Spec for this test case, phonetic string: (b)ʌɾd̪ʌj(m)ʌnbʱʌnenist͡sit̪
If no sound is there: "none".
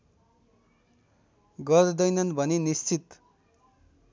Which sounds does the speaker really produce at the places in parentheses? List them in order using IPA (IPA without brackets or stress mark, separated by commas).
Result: ɡ, n